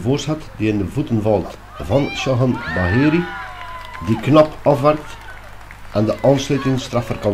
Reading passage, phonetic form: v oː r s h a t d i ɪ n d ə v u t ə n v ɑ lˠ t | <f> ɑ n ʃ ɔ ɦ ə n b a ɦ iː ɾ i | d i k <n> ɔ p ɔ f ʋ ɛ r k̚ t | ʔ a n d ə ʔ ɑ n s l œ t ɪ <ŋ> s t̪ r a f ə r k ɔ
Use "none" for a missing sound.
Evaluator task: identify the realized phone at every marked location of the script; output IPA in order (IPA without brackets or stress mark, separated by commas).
v, n, ŋ